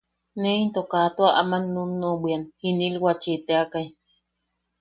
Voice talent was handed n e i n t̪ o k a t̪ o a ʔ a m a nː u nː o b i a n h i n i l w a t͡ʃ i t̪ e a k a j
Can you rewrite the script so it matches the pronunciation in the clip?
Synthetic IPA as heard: n e i n t̪ o k a t̪ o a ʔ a m a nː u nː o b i a n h i n i l w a t͡ʃ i t̪ e a k a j